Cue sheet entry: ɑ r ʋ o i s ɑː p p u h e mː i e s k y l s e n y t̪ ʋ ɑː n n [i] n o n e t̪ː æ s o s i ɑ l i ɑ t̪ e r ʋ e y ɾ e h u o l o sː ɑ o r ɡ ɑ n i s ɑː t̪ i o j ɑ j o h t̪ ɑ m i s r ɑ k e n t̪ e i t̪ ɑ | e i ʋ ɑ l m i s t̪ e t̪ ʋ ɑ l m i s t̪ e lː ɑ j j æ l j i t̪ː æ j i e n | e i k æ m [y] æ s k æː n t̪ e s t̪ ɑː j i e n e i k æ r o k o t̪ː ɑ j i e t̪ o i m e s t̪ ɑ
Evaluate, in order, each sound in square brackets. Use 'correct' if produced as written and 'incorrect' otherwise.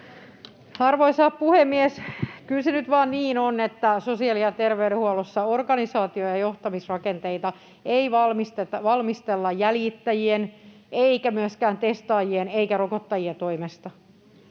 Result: incorrect: iː, correct

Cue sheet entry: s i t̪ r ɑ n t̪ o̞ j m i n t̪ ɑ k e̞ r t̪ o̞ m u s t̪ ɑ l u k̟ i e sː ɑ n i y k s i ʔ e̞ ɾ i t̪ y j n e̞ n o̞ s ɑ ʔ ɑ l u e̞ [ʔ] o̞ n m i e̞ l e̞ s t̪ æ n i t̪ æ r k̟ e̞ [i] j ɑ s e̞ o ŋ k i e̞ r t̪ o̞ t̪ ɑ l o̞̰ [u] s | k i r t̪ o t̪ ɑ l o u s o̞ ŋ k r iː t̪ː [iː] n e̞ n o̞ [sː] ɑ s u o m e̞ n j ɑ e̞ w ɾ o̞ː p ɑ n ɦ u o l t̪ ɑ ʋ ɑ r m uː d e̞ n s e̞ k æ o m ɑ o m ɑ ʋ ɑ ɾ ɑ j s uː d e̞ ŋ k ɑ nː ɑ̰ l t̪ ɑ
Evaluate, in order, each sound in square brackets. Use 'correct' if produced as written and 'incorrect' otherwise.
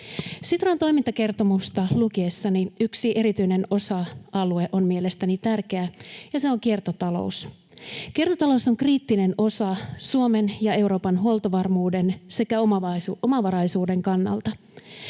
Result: correct, incorrect: æ, correct, incorrect: i, incorrect: s

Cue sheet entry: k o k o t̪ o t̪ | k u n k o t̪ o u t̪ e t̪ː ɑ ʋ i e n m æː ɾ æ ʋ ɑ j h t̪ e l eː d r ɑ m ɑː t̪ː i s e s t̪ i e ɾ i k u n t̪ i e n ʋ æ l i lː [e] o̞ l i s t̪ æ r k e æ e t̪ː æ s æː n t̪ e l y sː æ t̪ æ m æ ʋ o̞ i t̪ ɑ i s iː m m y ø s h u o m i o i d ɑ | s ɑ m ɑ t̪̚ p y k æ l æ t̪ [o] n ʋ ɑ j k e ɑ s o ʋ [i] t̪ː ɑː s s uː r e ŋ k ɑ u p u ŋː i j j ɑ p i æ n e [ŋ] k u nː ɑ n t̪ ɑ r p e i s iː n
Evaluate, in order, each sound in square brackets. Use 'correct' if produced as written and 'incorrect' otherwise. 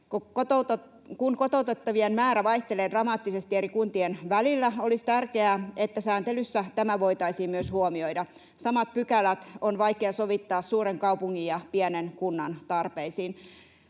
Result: incorrect: æ, correct, correct, incorrect: n

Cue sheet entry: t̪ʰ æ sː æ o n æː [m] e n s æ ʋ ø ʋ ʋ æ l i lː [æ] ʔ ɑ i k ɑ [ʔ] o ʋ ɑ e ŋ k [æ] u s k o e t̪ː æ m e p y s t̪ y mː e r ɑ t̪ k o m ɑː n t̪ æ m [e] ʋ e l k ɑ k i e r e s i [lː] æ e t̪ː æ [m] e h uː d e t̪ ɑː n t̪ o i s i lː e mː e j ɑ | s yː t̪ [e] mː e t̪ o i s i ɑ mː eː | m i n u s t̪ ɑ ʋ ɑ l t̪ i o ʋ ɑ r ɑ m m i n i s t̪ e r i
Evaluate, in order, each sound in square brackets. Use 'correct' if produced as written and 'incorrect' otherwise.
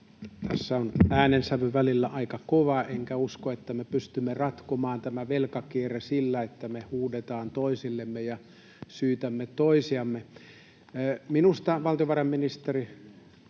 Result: incorrect: n, correct, incorrect: k, correct, incorrect: æ, correct, correct, incorrect: æ

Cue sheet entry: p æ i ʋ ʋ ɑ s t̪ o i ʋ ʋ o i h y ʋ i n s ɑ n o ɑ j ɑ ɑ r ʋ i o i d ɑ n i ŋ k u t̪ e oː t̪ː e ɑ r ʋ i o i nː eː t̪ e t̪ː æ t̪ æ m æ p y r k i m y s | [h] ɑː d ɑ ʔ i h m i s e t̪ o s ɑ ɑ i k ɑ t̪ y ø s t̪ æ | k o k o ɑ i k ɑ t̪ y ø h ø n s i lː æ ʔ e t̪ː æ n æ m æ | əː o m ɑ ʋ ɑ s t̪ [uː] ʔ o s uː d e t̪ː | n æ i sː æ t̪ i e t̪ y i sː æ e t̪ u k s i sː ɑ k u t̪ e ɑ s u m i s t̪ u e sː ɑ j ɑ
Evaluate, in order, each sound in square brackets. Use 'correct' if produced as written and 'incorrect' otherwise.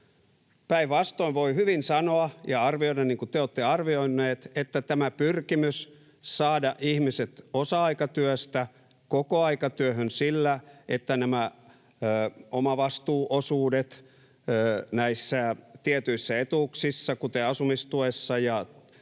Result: incorrect: s, correct

